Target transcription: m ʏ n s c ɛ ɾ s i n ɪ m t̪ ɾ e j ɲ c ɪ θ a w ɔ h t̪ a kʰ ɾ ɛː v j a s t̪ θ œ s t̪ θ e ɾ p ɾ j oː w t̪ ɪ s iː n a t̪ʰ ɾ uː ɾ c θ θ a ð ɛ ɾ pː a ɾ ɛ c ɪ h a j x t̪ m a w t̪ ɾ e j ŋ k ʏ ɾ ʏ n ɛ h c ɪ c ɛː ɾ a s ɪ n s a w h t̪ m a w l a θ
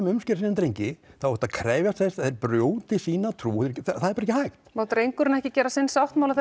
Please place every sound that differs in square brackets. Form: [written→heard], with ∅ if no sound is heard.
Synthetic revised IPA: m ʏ [n→m] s c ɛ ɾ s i n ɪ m t̪ ɾ e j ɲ c ɪ θ a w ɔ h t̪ a kʰ ɾ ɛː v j a s t̪ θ [œ→ɛ] s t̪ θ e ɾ p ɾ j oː w t̪ ɪ s iː n a t̪ʰ ɾ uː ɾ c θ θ a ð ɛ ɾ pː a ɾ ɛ c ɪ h a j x t̪ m a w t̪ ɾ e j ŋ k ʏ ɾ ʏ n ɛ h c ɪ c ɛː ɾ a s ɪ n s a w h t̪ m a w l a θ